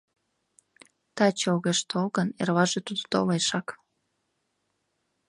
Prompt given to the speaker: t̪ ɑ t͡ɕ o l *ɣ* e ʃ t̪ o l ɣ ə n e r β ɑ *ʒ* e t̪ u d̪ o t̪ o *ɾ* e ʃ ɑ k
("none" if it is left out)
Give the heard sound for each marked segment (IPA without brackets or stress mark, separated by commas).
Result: ɣ, ʒ, l